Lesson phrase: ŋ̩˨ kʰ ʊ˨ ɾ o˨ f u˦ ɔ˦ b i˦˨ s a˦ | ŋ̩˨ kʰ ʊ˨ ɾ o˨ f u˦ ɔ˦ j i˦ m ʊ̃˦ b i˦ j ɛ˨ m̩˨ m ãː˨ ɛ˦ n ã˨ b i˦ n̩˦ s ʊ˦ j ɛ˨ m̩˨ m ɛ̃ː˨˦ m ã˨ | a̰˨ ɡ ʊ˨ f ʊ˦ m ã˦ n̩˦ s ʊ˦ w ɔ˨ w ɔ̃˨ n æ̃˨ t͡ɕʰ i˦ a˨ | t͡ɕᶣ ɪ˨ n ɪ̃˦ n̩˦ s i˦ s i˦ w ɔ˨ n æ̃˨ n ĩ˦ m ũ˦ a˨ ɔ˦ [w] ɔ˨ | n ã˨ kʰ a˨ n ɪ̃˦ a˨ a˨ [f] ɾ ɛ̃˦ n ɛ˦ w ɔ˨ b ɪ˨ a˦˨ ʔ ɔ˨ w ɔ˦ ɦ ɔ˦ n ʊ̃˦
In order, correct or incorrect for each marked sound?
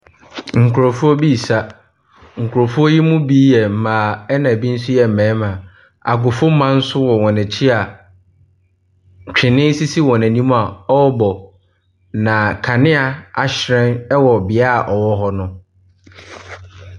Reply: incorrect: b, incorrect: ɕ

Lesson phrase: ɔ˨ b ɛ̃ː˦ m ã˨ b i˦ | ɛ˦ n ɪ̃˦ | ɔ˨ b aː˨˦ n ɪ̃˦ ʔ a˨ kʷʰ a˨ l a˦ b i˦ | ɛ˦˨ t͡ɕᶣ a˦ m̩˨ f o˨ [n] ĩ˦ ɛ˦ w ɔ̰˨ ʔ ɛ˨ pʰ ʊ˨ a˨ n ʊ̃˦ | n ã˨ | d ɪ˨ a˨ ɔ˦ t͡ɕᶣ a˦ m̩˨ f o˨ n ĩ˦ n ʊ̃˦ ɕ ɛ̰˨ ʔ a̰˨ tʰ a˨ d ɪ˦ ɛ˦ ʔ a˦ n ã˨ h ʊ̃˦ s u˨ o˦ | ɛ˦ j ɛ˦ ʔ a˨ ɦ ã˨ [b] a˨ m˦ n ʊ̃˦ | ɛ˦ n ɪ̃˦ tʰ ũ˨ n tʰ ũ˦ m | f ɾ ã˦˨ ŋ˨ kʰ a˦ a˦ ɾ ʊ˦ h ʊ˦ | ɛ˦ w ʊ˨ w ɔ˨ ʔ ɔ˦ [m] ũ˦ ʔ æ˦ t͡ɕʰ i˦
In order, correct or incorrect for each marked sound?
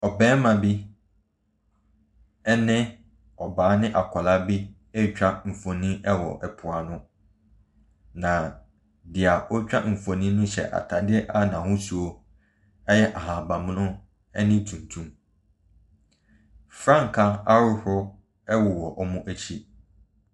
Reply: correct, correct, correct

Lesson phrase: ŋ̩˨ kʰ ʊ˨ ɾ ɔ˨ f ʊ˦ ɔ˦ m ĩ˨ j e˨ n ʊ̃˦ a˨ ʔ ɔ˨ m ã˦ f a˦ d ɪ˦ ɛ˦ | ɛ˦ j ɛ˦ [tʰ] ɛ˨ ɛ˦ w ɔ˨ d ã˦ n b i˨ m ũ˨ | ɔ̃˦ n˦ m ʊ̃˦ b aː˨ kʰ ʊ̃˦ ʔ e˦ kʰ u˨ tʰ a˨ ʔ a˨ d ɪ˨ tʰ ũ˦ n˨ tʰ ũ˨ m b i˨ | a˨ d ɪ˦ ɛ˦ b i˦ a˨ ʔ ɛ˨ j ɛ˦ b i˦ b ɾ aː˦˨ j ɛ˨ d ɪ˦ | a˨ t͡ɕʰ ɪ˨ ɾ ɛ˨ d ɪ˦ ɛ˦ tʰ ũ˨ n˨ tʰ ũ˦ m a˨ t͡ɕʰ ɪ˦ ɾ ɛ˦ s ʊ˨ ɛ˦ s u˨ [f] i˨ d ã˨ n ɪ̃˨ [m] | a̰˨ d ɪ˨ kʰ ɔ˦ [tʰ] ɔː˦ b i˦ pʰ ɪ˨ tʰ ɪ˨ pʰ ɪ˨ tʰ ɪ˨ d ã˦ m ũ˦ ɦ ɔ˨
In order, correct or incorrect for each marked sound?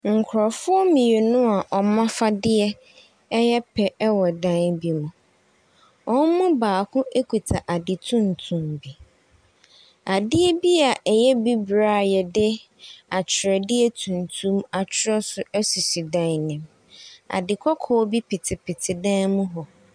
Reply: incorrect: pʰ, incorrect: s, correct, incorrect: kʰ

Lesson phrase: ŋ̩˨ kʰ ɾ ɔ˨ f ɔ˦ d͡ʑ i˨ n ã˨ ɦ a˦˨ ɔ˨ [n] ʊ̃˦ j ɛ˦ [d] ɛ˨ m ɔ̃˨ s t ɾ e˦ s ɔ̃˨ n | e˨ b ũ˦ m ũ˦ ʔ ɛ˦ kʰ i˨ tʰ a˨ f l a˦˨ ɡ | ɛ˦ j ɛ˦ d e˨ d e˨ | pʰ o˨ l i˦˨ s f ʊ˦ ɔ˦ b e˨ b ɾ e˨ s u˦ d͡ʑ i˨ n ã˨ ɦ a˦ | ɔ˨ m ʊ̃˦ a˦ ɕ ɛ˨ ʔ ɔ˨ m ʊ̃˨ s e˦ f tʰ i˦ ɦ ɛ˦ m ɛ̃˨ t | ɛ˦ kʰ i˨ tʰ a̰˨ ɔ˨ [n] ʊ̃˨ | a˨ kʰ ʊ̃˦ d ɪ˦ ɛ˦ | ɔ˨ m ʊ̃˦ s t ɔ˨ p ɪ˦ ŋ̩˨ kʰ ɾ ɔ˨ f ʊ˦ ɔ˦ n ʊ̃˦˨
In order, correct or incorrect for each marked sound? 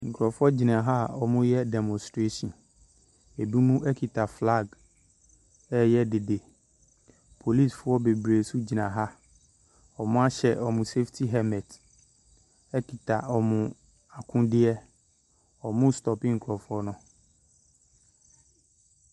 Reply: incorrect: m, correct, incorrect: m

